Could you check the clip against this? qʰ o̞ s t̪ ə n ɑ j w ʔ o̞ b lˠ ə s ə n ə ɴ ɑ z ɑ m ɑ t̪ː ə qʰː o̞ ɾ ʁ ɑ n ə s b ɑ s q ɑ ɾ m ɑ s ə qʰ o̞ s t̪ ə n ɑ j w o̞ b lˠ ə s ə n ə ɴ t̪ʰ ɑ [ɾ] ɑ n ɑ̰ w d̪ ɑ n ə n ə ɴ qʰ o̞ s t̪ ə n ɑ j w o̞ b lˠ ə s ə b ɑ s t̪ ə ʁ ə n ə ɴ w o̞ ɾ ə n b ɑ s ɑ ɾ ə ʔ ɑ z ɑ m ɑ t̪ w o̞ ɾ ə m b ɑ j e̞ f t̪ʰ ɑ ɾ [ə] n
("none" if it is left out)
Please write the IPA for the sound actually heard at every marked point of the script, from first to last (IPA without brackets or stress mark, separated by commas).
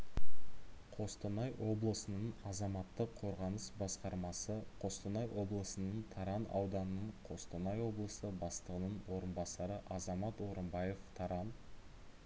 ɾ, ɑ